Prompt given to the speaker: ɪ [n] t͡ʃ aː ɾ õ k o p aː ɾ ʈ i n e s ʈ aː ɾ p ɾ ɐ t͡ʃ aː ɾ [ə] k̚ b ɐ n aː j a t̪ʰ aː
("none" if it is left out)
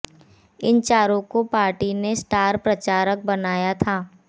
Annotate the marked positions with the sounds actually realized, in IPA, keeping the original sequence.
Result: n, ə

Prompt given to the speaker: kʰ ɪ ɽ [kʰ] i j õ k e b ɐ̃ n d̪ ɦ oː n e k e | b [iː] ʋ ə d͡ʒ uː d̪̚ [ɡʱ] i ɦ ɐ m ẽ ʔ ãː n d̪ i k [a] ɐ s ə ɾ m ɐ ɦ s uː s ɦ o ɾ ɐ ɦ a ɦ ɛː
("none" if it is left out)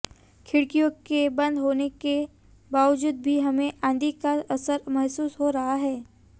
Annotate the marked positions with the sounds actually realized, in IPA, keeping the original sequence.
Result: k, aː, bʱ, a

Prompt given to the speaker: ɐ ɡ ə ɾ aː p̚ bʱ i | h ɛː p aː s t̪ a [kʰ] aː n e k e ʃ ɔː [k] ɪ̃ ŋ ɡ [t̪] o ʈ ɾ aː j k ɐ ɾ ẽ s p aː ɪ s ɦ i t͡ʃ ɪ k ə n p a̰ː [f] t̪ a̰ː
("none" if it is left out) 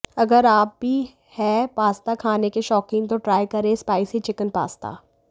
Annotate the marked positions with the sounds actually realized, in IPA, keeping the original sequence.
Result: kʰ, k, t̪, s

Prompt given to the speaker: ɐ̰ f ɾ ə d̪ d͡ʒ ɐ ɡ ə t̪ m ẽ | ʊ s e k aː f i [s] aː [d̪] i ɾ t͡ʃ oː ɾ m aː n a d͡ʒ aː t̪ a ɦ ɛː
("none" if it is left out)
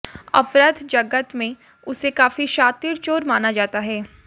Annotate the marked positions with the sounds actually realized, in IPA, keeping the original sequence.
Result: ʃ, t̪

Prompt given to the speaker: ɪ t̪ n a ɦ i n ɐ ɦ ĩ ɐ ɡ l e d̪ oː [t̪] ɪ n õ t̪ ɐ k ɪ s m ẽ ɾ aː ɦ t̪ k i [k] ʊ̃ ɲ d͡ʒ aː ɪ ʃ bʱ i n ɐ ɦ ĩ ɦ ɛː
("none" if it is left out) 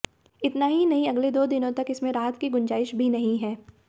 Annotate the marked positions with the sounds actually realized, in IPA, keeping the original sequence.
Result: d̪, ɡ

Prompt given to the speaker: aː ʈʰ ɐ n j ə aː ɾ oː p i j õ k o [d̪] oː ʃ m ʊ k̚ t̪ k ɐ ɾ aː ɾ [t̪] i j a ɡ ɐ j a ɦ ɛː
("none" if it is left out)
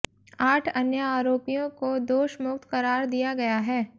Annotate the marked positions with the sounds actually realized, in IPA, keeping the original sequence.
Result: d̪, d̪

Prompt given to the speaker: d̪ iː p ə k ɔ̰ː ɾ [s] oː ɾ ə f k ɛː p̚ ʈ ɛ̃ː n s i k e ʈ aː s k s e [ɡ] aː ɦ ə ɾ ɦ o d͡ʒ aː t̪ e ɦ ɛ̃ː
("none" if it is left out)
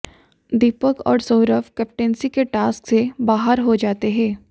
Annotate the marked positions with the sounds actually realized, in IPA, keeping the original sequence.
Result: s, b

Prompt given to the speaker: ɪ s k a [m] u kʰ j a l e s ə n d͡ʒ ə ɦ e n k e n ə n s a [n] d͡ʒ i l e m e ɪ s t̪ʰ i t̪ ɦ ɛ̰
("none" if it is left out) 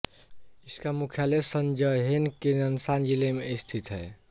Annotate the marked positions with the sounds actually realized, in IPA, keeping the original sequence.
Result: m, n

